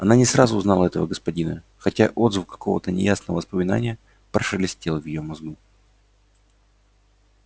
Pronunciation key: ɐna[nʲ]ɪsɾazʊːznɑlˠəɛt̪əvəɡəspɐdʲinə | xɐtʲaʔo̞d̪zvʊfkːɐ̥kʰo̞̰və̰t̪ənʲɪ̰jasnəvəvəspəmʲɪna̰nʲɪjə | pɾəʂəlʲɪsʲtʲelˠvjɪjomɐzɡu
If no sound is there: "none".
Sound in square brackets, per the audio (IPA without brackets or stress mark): nʲ